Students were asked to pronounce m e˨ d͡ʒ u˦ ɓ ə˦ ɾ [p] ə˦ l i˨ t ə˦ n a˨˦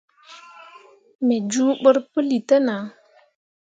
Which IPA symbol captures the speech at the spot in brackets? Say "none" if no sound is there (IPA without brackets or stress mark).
p